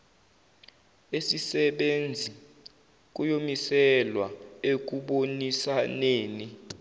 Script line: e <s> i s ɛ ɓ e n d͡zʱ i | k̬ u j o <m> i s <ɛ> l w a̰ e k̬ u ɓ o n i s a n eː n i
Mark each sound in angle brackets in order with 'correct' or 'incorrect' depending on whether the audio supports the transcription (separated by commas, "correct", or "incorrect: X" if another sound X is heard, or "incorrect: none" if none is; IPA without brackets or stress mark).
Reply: correct, correct, correct